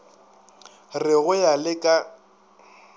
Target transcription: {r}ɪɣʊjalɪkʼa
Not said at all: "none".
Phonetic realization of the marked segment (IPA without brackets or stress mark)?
r